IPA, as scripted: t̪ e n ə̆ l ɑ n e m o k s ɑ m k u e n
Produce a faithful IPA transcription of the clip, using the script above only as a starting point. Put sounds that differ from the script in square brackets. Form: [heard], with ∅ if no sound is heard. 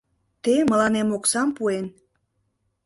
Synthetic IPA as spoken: t̪ e [m] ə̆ l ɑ n e m o k s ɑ m [p] u e n